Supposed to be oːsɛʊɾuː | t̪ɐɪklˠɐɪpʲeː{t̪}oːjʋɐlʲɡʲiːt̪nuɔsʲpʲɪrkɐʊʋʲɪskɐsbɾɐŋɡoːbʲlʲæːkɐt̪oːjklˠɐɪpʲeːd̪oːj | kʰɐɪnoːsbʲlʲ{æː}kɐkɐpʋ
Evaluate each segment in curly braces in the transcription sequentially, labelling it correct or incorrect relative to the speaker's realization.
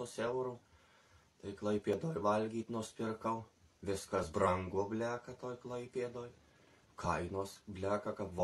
incorrect: d̪, correct

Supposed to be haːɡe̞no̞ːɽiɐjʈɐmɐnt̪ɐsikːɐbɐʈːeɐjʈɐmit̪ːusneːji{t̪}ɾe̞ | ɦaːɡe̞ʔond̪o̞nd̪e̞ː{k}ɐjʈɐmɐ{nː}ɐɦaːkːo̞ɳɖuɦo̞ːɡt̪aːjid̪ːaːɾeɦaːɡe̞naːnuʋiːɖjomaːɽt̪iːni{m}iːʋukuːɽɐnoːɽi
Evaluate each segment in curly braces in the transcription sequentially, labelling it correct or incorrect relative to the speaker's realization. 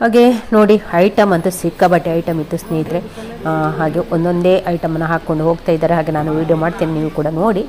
incorrect: d̪, incorrect: ʔ, correct, incorrect: n

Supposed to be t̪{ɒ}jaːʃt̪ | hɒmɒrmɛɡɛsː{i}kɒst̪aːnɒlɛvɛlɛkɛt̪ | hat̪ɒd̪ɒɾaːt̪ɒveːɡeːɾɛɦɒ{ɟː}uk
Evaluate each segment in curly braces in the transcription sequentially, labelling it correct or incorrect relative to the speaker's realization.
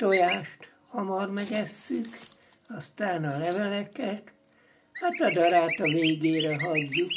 incorrect: o, incorrect: y, correct

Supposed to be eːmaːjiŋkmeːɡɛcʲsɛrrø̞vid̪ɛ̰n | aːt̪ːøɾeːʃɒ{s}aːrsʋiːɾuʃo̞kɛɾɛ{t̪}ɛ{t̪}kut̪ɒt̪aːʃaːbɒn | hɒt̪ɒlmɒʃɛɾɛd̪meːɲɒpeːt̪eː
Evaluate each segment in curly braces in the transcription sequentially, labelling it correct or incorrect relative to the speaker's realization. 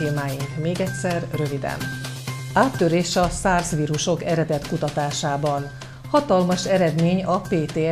correct, incorrect: d̪, correct

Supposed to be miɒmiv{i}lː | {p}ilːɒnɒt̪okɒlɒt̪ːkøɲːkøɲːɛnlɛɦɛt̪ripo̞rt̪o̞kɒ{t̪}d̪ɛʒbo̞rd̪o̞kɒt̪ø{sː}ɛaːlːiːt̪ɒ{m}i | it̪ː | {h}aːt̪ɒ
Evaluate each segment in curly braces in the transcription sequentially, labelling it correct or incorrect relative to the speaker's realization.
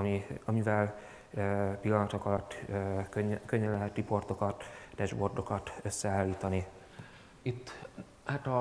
incorrect: ɛ, correct, correct, correct, incorrect: n, correct

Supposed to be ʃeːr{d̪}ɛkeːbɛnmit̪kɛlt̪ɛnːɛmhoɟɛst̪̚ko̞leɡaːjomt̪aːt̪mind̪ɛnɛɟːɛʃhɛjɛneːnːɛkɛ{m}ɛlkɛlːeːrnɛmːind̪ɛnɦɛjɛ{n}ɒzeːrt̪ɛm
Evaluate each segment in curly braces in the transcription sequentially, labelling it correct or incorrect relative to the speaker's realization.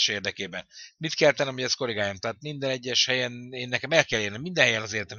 correct, correct, correct

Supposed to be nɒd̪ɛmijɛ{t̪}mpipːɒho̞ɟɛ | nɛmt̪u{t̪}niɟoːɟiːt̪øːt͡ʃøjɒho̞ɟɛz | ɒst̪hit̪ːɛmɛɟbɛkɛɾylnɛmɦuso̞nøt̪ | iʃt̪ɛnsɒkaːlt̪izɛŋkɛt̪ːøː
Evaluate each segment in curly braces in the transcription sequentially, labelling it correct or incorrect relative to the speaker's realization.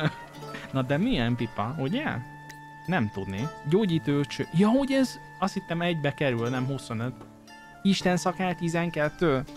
incorrect: none, incorrect: d̪

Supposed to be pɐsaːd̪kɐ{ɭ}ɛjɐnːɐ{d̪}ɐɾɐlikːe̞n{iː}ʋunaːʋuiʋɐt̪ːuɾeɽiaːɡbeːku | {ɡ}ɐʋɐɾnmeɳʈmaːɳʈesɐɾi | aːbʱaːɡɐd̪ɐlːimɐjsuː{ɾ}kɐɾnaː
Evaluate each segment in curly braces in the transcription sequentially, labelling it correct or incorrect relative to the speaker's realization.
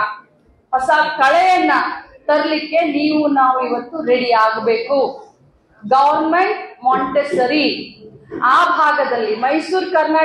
correct, incorrect: t̪, correct, correct, correct

